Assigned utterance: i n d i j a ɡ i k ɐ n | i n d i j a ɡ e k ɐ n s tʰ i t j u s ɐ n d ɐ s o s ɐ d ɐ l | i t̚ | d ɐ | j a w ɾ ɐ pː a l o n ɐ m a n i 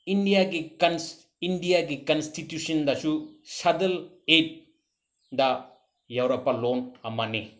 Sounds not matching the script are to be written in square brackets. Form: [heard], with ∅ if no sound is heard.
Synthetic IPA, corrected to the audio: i n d i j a ɡ i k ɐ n | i n d i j a ɡ [i] k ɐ n s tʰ i t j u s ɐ n d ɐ s [u] s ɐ d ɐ l | [e] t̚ | d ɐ | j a w ɾ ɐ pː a l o n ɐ m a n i